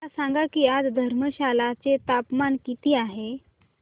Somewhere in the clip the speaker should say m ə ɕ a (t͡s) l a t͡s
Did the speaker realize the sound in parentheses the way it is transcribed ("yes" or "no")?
no